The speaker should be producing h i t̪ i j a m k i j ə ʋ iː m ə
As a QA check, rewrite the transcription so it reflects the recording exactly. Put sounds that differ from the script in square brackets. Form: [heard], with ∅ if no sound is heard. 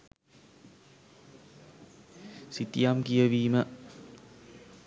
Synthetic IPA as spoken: [s] i t̪ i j a m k i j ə ʋ iː m ə